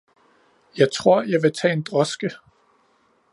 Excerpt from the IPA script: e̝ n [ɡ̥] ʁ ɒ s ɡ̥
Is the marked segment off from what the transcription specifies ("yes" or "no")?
yes